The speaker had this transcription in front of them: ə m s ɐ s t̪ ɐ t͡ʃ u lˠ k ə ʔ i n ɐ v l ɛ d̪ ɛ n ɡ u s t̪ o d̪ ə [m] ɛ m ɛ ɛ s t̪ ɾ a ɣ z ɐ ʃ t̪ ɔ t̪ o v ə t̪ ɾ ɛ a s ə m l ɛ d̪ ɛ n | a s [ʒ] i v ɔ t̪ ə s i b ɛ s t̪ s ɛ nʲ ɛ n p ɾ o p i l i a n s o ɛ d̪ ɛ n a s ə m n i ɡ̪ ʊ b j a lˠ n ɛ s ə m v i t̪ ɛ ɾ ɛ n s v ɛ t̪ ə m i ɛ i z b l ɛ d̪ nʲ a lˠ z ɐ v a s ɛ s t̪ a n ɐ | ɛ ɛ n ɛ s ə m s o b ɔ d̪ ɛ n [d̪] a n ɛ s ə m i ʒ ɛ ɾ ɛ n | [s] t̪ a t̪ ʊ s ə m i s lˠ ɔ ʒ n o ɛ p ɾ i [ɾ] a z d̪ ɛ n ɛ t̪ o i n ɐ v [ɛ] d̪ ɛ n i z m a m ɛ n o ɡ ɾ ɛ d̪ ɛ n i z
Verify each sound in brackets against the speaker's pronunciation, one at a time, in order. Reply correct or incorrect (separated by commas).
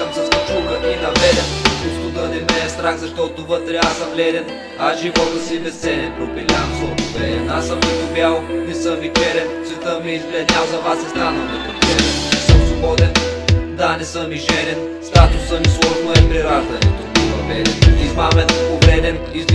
incorrect, correct, correct, correct, correct, correct